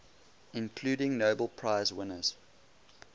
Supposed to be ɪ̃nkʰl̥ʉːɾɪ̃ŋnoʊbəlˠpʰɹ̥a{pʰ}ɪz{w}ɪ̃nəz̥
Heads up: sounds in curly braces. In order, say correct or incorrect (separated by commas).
incorrect, correct